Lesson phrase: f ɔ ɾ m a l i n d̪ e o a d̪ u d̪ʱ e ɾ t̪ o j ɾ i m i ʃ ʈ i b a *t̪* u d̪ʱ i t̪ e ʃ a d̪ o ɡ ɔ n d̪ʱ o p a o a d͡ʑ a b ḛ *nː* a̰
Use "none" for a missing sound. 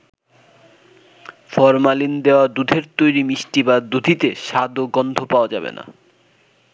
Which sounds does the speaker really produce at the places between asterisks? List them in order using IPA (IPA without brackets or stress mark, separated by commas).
d̪, n